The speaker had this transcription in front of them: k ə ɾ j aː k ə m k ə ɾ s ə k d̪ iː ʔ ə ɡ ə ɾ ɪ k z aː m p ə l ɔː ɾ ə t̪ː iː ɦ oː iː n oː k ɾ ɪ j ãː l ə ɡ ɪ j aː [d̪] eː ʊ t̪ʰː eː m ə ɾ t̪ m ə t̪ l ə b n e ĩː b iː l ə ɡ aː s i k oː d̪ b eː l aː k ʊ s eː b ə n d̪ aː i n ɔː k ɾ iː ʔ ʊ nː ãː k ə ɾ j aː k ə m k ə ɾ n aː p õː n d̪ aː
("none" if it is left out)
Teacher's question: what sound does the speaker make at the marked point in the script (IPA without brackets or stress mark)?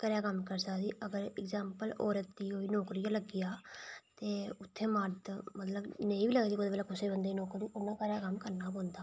t̪